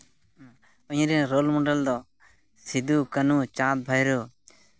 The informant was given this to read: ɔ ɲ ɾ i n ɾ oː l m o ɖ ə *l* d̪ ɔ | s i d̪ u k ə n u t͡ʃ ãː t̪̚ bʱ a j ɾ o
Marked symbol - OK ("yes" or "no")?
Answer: yes